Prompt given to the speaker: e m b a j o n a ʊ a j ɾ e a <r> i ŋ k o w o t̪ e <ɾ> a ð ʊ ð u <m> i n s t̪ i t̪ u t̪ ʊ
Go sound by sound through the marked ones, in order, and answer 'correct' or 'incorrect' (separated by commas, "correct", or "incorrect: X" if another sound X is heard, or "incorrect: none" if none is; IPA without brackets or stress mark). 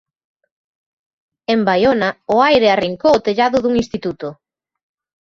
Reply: correct, incorrect: ʎ, incorrect: ŋ